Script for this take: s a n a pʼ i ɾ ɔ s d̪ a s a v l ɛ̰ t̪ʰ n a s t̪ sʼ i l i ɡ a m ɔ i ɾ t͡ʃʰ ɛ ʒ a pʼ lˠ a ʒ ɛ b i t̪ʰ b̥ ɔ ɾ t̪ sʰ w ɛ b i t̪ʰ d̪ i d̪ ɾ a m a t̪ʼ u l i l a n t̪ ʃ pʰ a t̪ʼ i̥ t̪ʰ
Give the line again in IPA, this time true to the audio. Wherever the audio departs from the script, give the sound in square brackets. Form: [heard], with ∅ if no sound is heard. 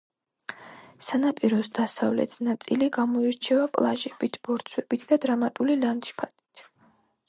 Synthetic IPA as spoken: s a n a pʼ i ɾ ɔ s d̪ a s a v l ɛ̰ t̪ʰ n a [∅] t̪ sʼ i l i ɡ a m ɔ i ɾ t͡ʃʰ ɛ [v] a pʼ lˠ a ʒ ɛ b i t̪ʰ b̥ ɔ ɾ t̪ sʰ w ɛ b i t̪ʰ d̪ [a] d̪ ɾ a m a t̪ʼ u l i l a n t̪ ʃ pʰ a t̪ʼ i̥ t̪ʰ